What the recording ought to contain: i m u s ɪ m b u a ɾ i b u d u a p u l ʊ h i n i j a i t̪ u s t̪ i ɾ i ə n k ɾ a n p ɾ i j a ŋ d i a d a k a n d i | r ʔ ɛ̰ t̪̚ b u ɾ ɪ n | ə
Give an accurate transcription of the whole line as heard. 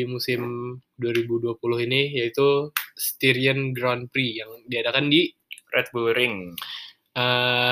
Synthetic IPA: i m u s ɪ m d u a ɾ i b u d u a p u l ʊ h i n i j a i t̪ u s t̪ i ɾ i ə n ɡ ɾ a n p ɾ i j a ŋ d i a d a k a n d i | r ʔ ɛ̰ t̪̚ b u ɾ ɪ ŋ | ə